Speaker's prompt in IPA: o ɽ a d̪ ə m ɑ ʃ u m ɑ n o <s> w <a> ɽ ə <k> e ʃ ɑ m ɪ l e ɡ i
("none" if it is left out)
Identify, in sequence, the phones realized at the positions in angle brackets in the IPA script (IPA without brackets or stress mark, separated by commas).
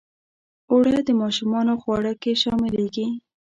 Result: x, ɑ, k